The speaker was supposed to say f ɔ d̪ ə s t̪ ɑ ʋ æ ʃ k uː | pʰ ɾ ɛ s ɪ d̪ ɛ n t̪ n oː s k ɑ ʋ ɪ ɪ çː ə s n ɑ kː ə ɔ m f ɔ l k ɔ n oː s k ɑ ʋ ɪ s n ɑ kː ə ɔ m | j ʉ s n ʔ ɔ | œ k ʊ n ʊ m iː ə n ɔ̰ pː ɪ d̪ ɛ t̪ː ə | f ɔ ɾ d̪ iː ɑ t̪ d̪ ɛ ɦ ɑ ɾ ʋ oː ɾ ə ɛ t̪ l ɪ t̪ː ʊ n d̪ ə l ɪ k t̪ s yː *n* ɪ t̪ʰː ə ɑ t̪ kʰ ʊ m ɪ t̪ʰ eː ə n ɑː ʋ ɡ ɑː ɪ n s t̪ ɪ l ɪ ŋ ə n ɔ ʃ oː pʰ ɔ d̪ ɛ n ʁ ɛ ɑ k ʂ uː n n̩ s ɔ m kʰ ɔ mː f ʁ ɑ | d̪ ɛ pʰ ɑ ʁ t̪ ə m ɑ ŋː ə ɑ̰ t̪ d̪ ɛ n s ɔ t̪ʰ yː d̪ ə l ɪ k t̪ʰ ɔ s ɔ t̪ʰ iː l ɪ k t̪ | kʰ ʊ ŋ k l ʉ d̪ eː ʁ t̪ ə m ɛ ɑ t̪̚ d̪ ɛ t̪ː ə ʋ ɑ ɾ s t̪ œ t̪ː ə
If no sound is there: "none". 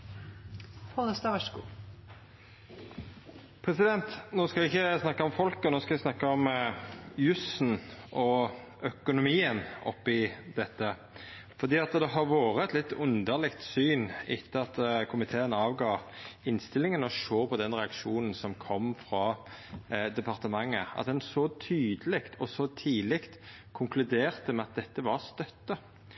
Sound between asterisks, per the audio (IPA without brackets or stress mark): n